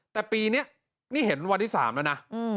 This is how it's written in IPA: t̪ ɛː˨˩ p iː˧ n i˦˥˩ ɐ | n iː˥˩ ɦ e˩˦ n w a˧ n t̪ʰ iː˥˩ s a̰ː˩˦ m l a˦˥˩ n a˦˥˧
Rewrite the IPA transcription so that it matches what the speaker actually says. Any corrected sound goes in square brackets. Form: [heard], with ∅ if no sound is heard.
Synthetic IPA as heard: t̪ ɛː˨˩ p iː˧ n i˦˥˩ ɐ | n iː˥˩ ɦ e˩˦ n w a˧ n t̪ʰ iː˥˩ s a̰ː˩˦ m l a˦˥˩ n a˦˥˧